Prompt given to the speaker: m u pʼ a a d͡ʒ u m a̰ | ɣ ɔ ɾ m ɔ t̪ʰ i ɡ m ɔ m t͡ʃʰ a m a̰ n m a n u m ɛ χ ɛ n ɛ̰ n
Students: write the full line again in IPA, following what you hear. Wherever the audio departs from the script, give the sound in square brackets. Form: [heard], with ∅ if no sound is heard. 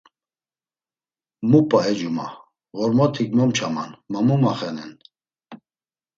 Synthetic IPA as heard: m u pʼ a [ɛ] d͡ʒ u m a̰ | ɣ ɔ ɾ m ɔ t̪ʰ i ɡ m ɔ m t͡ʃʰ a m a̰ n m a [m] u m [a] χ ɛ n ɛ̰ n